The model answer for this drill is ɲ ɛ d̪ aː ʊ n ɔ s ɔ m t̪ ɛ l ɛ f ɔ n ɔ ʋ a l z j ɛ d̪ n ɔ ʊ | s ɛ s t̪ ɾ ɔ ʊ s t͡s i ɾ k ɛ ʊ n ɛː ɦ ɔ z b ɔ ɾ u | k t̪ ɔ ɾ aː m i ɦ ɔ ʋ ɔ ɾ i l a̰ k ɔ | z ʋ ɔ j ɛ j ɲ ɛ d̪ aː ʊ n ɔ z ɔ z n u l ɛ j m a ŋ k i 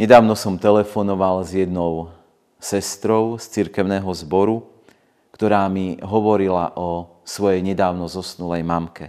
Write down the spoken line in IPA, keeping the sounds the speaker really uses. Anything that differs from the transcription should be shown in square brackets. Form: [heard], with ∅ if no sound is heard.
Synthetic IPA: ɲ ɛ d̪ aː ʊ n ɔ s ɔ m t̪ ɛ l ɛ f ɔ n ɔ ʋ a l z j ɛ d̪ n ɔ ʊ | s ɛ s t̪ ɾ ɔ ʊ s t͡s i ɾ k ɛ ʊ n ɛː ɦ ɔ z b ɔ ɾ u | k t̪ ɔ ɾ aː m i ɦ ɔ ʋ ɔ ɾ i l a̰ [ʔ] ɔ | [s] ʋ ɔ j ɛ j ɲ ɛ d̪ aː ʊ n ɔ z ɔ [s] n u l ɛ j m a [m] k [ɛ]